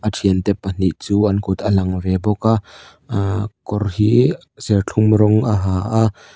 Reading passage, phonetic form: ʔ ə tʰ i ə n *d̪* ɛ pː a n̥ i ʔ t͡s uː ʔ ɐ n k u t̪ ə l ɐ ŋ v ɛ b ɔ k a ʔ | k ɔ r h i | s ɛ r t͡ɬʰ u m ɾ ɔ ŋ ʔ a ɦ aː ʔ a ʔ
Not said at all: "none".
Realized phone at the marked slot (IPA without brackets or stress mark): t̪